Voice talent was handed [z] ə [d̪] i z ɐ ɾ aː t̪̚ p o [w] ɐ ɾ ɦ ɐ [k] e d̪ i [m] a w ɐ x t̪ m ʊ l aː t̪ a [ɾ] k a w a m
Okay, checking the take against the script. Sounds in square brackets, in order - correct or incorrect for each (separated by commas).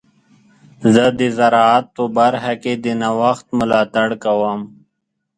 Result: correct, correct, incorrect, correct, incorrect, incorrect